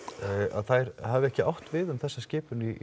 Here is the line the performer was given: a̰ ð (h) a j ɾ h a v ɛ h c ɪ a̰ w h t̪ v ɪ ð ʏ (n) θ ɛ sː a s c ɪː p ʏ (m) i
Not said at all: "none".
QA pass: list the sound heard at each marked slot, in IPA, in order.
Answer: θ, m, n

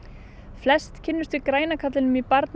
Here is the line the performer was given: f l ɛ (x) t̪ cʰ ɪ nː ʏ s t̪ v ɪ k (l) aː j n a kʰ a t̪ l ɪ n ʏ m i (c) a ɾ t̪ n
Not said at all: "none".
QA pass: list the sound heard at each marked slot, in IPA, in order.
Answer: s, ɾ, p

